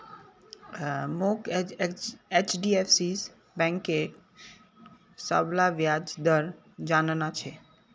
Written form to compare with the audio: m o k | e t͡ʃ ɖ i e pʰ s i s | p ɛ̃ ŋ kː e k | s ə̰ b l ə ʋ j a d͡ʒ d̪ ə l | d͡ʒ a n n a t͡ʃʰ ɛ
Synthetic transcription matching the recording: m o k | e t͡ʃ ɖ i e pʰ s i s | b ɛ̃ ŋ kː e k | s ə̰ b l a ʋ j a d͡ʒ d̪ ə ɾ | d͡ʒ a n n a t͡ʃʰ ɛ